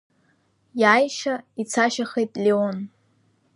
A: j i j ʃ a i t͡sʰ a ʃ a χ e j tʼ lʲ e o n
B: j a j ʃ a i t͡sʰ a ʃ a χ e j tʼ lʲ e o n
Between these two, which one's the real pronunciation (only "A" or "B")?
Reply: B